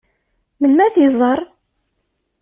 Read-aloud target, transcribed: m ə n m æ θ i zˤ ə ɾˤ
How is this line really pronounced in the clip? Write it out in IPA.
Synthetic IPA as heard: m ə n m æ θ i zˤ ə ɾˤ